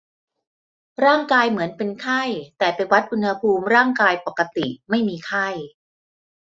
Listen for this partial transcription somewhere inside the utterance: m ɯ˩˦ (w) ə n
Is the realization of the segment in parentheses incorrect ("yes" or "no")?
yes